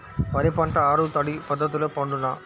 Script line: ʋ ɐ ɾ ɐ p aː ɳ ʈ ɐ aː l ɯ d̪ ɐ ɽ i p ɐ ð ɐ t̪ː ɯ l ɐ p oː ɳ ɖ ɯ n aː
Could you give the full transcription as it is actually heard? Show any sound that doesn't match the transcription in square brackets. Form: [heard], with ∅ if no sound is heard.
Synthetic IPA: ʋ ɐ ɾ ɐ p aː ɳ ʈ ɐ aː [ɾ] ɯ [t̪] ɐ ɽ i p ɐ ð ɐ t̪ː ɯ l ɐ p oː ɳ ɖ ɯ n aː

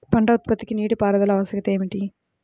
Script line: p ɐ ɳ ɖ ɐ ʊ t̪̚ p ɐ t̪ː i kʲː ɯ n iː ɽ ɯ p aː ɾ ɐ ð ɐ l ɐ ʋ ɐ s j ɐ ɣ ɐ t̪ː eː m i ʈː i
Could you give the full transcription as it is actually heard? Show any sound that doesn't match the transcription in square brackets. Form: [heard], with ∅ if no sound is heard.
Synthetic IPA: p ɐ ɳ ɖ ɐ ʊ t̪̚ p ɐ t̪ː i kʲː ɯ n iː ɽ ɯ p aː ɾ ɐ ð ɐ l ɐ ʋ ɐ s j ɐ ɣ ɐ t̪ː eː m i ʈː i

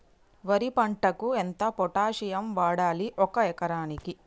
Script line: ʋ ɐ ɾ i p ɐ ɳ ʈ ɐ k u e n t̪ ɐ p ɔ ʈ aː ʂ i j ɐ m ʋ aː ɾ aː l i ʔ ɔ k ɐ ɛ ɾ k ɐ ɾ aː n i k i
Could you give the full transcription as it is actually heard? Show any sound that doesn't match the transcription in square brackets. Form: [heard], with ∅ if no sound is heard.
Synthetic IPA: ʋ ɐ ɾ i p ɐ ɳ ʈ ɐ k u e n t̪ ɐ p ɔ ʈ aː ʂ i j ɐ m ʋ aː [ɽ] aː l i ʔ ɔ k ɐ ɛ [∅] k ɐ ɾ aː n i k i

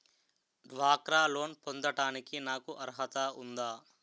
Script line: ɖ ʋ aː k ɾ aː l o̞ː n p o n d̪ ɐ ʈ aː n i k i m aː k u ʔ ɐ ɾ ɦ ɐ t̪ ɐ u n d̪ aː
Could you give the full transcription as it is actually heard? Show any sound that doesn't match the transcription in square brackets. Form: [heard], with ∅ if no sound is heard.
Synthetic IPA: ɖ ʋ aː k ɾ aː l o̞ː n p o n d̪ ɐ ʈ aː n i k i [n] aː k u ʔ ɐ ɾ ɦ ɐ t̪ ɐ u n d̪ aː

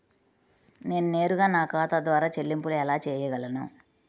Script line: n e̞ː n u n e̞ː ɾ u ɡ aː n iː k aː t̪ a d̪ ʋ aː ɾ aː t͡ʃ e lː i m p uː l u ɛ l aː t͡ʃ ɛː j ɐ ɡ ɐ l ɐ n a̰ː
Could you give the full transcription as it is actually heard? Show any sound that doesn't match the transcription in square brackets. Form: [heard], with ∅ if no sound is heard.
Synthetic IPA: n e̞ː n u n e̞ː ɾ u ɡ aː n [aː] k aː t̪ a d̪ ʋ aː ɾ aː t͡ʃ e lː i m p [u] l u ɛ l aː t͡ʃ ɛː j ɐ ɡ ɐ l ɐ n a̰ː

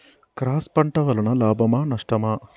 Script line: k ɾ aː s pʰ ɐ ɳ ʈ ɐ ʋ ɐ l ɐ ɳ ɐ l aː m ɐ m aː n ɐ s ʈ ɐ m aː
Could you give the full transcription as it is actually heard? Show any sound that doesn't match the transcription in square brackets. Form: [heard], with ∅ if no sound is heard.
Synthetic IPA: k ɾ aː s [p] ɐ ɳ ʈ ɐ ʋ ɐ l ɐ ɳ ɐ l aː [b] ɐ m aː n ɐ [ʂ] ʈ ɐ m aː

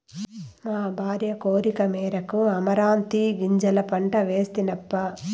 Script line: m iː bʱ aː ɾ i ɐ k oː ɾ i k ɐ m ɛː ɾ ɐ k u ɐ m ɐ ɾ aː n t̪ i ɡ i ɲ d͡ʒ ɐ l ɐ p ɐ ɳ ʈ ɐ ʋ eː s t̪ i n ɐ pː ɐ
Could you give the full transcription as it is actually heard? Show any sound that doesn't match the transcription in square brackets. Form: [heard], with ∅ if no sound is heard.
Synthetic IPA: m [aː] bʱ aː ɾ [j] ɐ k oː ɾ i k ɐ m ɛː ɾ ɐ k u ɐ m ɐ ɾ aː n t̪ i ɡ i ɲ d͡ʒ ɐ l ɐ p ɐ ɳ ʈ ɐ ʋ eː s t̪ i n ɐ pː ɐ

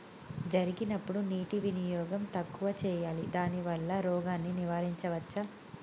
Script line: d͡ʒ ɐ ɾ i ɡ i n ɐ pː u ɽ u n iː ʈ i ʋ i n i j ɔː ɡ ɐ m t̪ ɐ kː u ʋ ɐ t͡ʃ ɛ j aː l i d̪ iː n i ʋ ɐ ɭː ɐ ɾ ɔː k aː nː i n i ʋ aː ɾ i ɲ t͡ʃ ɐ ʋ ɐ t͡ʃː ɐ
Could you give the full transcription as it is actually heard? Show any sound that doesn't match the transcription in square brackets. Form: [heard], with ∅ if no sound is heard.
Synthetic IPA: d͡ʒ ɐ ɾ i ɡ i n ɐ pː u ɽ u n iː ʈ i ʋ i n i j ɔː ɡ ɐ m t̪ ɐ kː u ʋ ɐ t͡ʃ [ɛː] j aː l i d̪ [aː] n i ʋ ɐ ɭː ɐ ɾ ɔː [ɡ] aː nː i n i ʋ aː ɾ i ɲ t͡ʃ ɐ ʋ ɐ t͡ʃː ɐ

